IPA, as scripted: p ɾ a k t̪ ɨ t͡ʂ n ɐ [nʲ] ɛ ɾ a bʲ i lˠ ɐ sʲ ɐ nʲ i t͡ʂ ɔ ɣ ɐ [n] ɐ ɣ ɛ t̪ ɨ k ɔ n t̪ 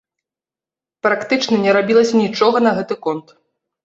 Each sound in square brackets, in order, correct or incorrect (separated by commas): correct, correct